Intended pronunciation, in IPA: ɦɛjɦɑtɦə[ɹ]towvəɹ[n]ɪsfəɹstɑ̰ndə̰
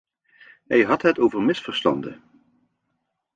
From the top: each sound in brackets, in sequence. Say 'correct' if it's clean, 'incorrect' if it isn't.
incorrect: none, incorrect: m

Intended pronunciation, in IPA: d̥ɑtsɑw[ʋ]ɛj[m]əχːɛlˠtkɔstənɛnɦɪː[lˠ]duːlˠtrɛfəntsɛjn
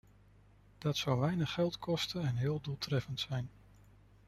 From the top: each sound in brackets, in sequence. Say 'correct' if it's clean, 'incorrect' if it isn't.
correct, incorrect: n, correct

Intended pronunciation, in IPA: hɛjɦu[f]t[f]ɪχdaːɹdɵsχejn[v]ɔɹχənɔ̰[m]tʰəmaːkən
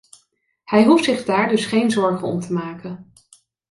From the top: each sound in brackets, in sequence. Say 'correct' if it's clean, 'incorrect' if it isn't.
correct, incorrect: s, incorrect: z, correct

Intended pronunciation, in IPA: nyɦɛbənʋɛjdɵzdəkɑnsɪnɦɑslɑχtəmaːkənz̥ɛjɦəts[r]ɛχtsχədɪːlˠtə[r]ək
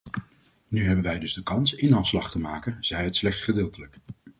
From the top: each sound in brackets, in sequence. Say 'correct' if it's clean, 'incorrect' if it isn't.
incorrect: l, incorrect: l

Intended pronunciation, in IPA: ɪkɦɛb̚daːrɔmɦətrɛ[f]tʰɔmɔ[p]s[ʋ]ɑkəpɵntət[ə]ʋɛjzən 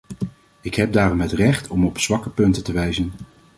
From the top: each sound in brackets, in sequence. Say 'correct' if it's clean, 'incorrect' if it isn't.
incorrect: χ, correct, correct, correct

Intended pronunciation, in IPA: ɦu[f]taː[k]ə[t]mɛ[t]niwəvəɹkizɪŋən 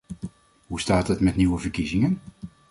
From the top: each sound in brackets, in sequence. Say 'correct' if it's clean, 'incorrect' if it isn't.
incorrect: s, incorrect: t, correct, correct

